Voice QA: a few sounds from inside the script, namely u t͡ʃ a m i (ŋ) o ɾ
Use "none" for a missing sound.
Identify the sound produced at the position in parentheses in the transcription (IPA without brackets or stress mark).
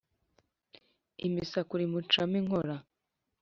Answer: ŋ